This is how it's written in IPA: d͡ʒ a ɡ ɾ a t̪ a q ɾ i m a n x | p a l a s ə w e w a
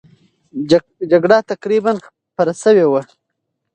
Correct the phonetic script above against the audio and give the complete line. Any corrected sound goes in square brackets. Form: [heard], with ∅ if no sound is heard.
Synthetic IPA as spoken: d͡ʒ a ɡ [ɽ] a t̪ a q ɾ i [b] a n x | p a [ɾ] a s ə w e w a